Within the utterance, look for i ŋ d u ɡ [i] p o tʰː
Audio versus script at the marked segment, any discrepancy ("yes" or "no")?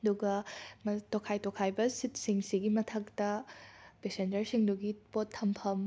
no